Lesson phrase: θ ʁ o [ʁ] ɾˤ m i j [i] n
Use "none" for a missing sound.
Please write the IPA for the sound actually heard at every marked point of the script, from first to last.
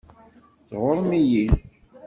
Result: none, i

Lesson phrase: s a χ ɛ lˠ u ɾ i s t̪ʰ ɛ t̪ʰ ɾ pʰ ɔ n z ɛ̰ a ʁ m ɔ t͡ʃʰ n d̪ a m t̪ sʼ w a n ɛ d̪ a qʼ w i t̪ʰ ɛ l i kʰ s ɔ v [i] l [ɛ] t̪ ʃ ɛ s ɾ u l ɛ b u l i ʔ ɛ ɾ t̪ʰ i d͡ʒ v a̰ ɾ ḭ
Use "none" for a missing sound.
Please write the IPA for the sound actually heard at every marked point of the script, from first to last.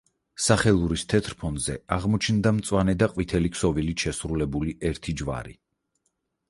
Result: i, i

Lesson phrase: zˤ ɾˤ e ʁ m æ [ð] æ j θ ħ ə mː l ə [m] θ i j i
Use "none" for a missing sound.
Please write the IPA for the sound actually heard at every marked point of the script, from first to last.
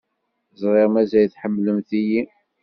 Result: z, m

